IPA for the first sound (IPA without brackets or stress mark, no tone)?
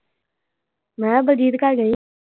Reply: m